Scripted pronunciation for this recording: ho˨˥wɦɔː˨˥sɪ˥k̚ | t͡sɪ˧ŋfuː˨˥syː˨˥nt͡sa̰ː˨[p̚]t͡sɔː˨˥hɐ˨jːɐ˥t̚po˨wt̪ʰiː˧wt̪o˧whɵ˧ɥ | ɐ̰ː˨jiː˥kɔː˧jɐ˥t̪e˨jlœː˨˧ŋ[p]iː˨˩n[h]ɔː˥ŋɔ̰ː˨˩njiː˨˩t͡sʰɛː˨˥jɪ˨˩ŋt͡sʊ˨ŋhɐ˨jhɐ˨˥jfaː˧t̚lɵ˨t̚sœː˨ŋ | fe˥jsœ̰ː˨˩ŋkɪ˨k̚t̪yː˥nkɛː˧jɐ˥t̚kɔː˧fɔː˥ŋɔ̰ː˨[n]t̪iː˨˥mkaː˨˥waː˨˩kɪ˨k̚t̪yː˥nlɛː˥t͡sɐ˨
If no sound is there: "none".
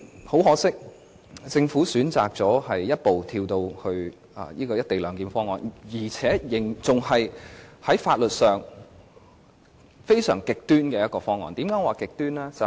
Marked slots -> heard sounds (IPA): k̚, k, f, n

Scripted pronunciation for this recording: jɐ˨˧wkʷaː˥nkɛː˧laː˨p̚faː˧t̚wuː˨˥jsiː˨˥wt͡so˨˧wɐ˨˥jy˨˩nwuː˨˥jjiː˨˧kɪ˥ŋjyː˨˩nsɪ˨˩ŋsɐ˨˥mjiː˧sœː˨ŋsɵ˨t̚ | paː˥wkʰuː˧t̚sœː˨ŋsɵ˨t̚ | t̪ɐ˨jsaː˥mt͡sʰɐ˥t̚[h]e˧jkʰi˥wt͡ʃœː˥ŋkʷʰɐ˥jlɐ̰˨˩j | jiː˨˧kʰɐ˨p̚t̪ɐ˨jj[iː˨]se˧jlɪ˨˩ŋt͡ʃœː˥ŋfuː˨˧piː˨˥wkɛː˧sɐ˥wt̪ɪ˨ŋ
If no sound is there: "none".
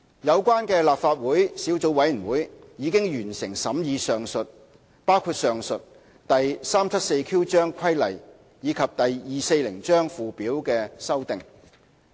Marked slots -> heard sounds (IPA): s, iː˨

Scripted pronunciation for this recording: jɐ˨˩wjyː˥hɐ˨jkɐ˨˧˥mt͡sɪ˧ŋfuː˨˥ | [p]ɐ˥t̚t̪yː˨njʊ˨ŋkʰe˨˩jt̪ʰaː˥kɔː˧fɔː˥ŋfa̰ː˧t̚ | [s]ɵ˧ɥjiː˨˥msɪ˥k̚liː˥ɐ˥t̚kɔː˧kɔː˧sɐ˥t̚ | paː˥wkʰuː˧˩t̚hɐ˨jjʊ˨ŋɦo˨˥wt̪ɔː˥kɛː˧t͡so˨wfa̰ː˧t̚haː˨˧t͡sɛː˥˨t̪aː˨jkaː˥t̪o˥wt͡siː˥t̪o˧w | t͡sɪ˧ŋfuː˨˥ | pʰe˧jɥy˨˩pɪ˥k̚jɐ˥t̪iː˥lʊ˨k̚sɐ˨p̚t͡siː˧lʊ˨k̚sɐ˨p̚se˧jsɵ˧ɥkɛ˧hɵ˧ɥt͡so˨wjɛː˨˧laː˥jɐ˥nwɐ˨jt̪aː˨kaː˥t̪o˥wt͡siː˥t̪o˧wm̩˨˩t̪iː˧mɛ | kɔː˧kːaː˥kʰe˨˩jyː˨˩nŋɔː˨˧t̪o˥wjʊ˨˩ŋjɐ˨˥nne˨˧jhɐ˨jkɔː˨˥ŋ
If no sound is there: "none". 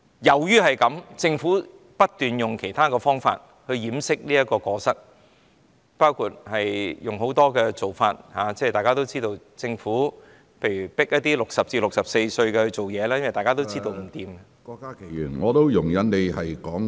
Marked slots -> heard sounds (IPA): p, h

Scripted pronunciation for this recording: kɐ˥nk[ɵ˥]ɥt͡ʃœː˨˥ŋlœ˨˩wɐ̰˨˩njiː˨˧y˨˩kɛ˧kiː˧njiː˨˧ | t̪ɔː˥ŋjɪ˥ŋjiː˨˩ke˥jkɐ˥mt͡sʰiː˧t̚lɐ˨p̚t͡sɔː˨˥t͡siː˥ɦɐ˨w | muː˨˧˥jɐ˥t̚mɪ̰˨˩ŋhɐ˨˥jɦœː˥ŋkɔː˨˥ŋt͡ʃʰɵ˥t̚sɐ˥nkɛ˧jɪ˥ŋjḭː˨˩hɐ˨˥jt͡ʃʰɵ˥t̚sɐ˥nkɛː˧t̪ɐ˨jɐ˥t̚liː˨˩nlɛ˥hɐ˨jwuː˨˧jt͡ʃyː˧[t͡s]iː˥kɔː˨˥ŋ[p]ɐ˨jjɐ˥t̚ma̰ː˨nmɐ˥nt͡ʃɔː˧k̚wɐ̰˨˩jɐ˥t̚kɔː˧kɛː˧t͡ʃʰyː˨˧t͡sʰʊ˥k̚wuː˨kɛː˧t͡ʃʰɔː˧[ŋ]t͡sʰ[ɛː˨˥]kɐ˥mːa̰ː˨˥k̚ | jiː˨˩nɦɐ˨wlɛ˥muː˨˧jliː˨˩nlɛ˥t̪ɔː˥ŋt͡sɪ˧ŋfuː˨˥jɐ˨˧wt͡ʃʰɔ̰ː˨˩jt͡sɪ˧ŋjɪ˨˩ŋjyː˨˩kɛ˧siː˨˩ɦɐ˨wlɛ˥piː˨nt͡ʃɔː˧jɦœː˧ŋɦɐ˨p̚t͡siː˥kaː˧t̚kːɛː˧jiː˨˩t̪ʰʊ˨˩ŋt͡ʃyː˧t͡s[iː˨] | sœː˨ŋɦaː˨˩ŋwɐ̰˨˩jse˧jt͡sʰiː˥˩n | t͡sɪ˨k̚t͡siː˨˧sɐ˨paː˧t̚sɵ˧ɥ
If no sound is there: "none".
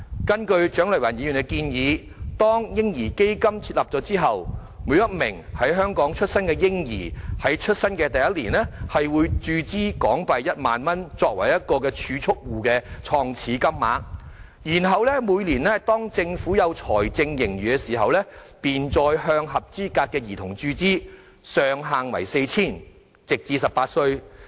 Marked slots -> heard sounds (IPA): ɵ˧, t͡s, p, ŋ, iː˨˥, iː˥

